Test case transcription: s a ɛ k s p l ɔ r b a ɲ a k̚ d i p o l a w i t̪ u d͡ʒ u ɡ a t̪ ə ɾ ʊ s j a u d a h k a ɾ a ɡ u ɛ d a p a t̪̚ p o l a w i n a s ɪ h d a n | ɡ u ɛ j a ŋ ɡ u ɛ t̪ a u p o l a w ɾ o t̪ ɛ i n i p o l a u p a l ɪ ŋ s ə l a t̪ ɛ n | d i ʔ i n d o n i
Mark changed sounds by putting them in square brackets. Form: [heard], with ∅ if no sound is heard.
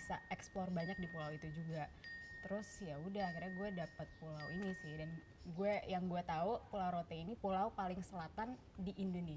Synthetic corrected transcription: s a ɛ k s p l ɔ r b a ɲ a k̚ d i p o l a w i t̪ u d͡ʒ u ɡ a t̪ ə ɾ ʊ s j a u d a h k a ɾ a ɡ u ɛ d a p a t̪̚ p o l a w i n [i] s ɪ h d a n | ɡ u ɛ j a ŋ ɡ u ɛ t̪ a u p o l a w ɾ o t̪ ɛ i n i p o l a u p a l ɪ ŋ s ə l a t̪ [a] n | d i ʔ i n d o n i